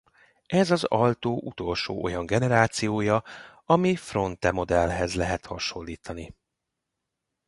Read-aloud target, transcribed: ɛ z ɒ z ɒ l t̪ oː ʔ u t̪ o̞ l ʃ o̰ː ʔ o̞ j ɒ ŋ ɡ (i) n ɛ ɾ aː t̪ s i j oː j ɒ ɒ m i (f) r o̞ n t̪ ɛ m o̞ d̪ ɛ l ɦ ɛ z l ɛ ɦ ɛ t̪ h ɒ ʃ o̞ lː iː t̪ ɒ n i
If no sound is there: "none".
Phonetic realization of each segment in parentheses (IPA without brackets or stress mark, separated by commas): ɛ, f